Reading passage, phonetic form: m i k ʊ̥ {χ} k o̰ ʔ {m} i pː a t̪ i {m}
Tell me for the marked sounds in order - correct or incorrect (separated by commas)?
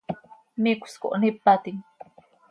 incorrect, incorrect, incorrect